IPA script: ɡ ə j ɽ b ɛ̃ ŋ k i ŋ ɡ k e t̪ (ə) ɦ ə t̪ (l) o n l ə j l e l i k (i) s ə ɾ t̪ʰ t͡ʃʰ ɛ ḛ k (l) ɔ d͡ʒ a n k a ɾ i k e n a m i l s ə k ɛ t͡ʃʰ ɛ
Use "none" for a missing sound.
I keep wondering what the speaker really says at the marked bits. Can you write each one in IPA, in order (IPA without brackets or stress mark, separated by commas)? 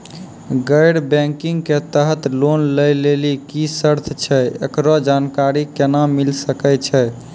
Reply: ə, l, i, ɾ